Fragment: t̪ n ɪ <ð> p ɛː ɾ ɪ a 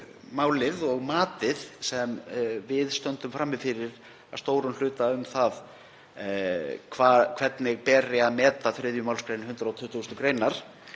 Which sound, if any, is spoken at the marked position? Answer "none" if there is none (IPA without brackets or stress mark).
ɣ